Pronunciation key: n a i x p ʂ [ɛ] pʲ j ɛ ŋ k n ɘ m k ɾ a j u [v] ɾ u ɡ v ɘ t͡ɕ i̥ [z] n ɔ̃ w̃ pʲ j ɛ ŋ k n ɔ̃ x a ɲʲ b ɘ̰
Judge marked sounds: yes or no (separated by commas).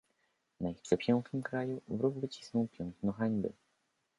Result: yes, yes, no